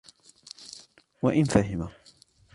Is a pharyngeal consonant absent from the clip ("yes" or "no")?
yes